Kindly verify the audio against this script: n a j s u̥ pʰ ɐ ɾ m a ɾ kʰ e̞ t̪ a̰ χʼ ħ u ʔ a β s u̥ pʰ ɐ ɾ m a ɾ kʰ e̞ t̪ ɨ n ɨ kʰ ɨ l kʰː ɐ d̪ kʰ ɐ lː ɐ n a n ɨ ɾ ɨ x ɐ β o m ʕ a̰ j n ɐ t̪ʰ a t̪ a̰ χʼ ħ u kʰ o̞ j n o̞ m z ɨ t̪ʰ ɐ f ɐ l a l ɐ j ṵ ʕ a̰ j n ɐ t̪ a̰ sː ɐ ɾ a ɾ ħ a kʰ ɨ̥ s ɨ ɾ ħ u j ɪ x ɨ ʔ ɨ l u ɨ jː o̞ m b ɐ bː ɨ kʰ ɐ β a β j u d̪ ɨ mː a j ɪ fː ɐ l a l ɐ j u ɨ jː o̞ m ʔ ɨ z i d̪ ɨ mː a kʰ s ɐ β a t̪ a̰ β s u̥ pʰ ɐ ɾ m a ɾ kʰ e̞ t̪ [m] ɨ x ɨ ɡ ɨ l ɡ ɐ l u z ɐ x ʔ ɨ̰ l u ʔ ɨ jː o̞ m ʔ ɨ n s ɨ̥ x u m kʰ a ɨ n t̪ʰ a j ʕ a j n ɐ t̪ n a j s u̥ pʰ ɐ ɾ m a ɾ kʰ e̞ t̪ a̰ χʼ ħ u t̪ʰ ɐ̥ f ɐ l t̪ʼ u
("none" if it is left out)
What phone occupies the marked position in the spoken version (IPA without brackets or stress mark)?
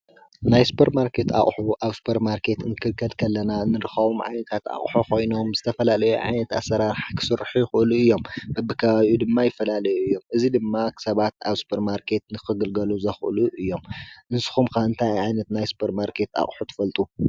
n